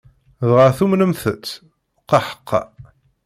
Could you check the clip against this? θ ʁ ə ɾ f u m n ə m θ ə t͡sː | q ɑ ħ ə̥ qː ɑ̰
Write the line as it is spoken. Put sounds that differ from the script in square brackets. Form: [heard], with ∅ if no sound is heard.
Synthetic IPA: [ð] ʁ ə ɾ [θ] u m n ə m θ ə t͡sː | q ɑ ħ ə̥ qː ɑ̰

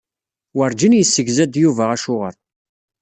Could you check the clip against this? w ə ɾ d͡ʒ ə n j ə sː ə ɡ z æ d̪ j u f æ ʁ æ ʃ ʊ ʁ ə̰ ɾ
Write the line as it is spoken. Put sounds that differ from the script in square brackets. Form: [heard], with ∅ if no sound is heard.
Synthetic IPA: w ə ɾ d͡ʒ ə n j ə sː ə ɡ z æ d̪ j u [v] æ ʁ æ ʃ ʊ ʁ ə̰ ɾ

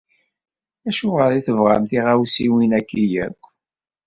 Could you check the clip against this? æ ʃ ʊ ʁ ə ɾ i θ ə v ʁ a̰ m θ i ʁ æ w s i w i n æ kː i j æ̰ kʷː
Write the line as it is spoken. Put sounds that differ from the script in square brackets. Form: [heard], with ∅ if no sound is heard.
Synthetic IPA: æ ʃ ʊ ʁ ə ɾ i θ ə v ʁ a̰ m θ i ʁ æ w s i w i n æ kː i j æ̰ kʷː

